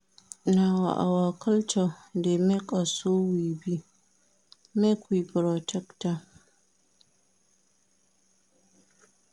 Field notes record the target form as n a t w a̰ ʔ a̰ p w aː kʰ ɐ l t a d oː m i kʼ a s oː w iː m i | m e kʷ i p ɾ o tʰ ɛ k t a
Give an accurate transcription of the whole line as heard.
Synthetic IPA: n a w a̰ ʔ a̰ w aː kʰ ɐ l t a d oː m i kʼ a s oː w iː b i | m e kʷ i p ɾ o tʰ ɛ k t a

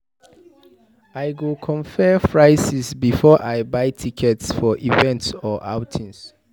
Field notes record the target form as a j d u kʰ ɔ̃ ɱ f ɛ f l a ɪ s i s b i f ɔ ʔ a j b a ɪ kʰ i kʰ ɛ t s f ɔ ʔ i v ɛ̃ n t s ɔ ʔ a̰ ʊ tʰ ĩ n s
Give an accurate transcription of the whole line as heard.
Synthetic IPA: a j ɡ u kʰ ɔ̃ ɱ f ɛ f ɹ a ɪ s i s b i f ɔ ʔ a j b a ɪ tʰ i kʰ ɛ t s f ɔ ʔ i v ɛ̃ n t s ɔ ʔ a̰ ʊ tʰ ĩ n s

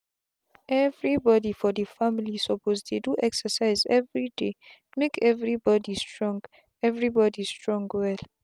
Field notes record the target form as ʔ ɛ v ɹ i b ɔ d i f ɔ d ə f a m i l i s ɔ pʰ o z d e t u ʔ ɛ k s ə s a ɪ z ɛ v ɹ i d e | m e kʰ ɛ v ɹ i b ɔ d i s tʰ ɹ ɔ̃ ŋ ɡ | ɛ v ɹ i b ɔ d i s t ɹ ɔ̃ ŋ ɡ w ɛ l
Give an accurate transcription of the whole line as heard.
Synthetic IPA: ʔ ɛ v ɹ i b ɔ d i f ɔ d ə f a m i l i s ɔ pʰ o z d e d u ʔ ɛ k s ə s a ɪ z ɛ v ɹ i d e | m e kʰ ɛ v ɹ i b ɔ d i s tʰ ɹ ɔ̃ ŋ ɡ | ɛ v ɹ i b ɔ d i s t ɹ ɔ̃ ŋ ɡ w ɛ l

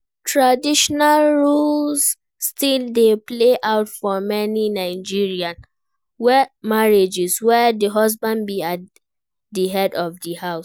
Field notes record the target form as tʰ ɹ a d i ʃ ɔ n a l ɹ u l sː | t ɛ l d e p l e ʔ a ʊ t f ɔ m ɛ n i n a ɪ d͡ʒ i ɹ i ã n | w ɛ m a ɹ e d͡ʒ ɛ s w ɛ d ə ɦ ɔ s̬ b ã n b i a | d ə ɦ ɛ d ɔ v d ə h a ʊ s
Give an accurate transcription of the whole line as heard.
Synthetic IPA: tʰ ɹ a d i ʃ ɔ n a l ɹ u l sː | t i l d e p l e ʔ a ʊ t f ɔ m ɛ n i n a ɪ d͡ʒ i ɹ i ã n | w ɛ m a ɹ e d͡ʒ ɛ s w ɛ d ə ɦ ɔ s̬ b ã n b i a | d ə ɦ ɛ d ɔ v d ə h a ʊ s

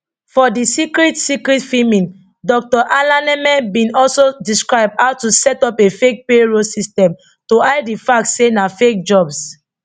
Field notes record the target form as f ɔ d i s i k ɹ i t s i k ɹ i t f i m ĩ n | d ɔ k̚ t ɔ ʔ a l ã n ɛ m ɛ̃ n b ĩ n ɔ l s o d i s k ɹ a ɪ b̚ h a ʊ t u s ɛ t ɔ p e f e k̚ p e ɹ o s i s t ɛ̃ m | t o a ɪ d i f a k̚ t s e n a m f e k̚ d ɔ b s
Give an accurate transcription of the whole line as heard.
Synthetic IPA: f ɔ d i s i k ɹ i t s i k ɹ i t f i m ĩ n | d ɔ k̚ t ɔ ʔ a l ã n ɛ m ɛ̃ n b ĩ n ɔ l s o d i s k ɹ a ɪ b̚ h a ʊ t u s ɛ t ɔ p e f e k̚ p e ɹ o s i s t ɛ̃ m | t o a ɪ d i f a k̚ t s e n a f e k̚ d͡ʒ ɔ b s

